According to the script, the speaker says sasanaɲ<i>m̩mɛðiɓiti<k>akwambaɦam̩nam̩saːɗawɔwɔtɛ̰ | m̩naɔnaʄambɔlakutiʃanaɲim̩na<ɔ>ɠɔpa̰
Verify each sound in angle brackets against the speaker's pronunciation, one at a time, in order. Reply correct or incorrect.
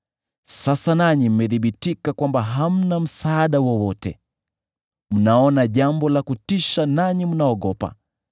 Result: correct, correct, correct

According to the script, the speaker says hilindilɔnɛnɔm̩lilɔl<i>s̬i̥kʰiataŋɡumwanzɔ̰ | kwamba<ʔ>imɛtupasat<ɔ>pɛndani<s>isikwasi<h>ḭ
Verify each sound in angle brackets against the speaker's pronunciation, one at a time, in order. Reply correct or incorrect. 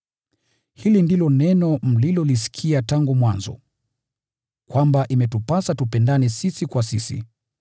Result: correct, correct, incorrect: u, correct, incorrect: s

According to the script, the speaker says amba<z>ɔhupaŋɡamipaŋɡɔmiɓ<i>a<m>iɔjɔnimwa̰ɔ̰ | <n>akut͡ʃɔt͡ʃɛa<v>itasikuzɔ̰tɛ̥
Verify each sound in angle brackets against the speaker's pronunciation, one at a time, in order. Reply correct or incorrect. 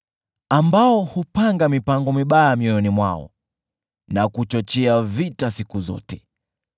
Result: incorrect: none, incorrect: a, correct, correct, correct

